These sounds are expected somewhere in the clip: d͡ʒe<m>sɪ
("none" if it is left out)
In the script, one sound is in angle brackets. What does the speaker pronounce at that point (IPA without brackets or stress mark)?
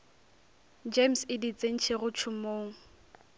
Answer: m